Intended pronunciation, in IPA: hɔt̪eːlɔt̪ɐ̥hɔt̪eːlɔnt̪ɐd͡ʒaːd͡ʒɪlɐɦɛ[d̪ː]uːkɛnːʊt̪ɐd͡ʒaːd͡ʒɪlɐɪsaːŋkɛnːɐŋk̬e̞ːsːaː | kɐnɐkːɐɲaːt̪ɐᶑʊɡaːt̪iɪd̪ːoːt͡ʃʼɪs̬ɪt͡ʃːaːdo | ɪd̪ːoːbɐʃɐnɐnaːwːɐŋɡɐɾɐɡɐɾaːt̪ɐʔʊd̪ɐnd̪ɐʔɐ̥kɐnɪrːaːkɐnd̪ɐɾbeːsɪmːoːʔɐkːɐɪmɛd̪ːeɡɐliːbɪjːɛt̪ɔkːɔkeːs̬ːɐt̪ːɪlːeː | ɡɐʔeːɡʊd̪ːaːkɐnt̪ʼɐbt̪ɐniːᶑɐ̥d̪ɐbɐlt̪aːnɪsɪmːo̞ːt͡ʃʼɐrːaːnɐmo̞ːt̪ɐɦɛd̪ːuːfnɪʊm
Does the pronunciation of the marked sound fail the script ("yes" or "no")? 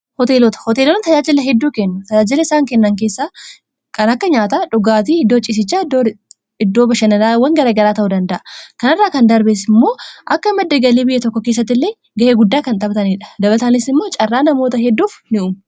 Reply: no